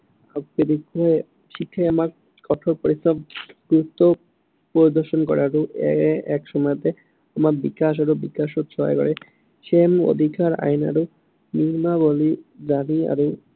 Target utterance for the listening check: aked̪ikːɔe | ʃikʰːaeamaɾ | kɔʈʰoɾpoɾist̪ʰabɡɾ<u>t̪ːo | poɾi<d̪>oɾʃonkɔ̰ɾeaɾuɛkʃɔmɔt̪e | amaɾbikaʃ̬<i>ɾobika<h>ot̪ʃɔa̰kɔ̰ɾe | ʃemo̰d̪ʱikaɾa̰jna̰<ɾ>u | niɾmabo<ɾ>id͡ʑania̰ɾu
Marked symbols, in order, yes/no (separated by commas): yes, yes, no, no, yes, no